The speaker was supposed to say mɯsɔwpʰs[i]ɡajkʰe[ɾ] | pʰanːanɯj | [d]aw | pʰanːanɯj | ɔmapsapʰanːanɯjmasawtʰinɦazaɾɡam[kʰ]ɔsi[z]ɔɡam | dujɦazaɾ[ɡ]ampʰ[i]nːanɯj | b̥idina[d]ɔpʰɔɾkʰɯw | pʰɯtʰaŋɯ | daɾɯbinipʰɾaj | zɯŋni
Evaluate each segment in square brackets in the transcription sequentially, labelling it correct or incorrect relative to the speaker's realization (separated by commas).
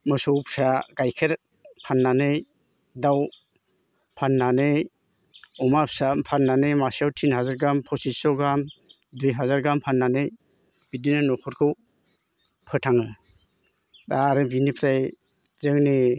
incorrect, correct, correct, incorrect, incorrect, correct, incorrect, incorrect